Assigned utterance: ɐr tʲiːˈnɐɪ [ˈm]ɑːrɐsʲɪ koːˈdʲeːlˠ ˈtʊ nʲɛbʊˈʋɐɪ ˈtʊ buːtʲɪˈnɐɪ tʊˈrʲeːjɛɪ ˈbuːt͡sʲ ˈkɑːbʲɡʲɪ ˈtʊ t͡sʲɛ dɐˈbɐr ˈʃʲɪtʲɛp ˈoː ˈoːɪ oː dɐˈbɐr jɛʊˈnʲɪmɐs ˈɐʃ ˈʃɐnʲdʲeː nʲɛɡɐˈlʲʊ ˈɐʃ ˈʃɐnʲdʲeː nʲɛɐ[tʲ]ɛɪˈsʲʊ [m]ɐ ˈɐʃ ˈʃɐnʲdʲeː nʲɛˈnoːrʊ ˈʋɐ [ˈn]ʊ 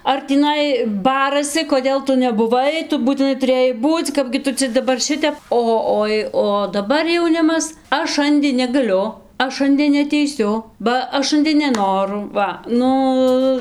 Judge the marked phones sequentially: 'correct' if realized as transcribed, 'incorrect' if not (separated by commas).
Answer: incorrect, correct, incorrect, correct